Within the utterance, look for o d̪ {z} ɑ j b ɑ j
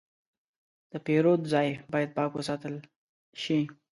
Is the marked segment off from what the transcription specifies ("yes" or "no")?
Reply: no